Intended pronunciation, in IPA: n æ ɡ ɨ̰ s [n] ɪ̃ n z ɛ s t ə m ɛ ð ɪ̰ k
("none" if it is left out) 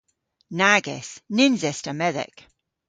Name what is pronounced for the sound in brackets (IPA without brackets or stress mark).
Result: n